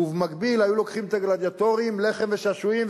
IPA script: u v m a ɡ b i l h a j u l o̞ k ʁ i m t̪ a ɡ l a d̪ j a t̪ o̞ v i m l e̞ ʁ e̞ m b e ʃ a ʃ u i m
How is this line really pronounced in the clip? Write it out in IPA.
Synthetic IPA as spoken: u v m a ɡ b i l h a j u l o̞ k χ i m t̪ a ɡ l a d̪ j a t̪ o̞ ʁ i m l e̞ χ e̞ m v e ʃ a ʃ u i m